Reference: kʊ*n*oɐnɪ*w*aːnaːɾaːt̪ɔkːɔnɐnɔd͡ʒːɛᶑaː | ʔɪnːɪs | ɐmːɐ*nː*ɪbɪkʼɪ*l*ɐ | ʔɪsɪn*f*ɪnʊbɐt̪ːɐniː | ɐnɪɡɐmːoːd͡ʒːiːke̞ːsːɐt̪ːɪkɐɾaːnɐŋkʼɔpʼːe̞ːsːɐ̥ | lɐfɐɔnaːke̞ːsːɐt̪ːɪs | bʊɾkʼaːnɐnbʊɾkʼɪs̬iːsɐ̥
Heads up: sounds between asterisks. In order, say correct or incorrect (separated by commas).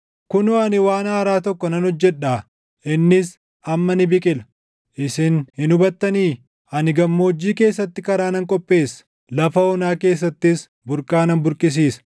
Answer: correct, correct, incorrect, correct, incorrect